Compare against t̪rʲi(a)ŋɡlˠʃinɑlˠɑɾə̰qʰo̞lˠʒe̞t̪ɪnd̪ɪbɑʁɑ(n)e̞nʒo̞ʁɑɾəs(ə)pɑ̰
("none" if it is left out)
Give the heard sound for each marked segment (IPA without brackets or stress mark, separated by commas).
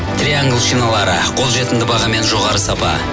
a, m, ɑ